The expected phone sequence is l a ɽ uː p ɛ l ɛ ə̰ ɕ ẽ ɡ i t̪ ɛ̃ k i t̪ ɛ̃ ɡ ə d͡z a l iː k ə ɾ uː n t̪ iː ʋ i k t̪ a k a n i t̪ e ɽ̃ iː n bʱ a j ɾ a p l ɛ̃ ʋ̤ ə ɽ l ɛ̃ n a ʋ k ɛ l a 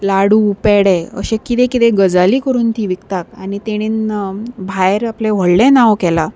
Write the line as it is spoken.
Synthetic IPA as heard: l a ɽ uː p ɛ ɽ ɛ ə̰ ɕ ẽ k i t̪ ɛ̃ k i t̪ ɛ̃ ɡ ə d͡z a l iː k ə ɾ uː n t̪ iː ʋ i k t̪ a k a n i t̪ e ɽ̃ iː n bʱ a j ɾ a p l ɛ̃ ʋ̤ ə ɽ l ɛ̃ n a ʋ k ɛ l a